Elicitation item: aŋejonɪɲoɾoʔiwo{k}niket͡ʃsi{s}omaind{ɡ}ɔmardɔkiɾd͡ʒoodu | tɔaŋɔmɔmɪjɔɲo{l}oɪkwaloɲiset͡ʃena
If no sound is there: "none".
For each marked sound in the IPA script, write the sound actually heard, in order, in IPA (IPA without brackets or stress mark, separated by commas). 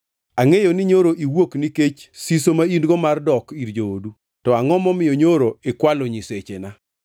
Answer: k, s, ɡ, ɾ